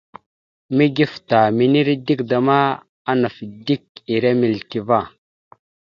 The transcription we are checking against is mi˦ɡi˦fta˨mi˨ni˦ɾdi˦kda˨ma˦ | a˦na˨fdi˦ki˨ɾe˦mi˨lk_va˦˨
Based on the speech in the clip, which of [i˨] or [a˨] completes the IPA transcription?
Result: i˨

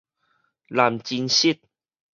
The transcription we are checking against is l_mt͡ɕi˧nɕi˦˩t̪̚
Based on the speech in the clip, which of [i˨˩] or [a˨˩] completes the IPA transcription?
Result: a˨˩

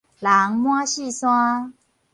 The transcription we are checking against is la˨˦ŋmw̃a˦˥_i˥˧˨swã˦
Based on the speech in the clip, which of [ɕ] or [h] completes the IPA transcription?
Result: ɕ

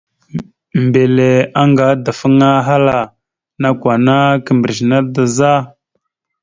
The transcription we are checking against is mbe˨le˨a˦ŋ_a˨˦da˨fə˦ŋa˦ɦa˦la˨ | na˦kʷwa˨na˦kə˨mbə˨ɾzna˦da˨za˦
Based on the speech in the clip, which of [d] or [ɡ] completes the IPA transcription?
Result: ɡ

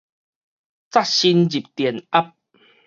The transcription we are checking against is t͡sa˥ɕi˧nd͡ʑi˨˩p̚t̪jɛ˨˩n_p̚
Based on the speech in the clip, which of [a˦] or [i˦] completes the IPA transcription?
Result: a˦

